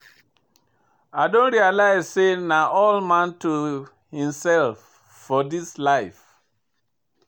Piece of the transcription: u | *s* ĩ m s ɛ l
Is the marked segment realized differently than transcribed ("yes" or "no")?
yes